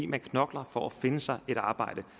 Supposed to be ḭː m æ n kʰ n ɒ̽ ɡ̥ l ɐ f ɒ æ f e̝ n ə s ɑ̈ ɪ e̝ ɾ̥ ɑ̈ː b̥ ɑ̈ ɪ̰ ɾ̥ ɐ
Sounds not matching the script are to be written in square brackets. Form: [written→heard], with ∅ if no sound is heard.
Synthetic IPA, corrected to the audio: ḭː m æ n kʰ n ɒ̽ ɡ̥ l ɐ f ɒ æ f e̝ n ə s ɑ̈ ɪ e̝ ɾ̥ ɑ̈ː b̥ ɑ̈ ɪ̰ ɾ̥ [ɐ→ə]